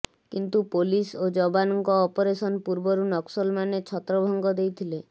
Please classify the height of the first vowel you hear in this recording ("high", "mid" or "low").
high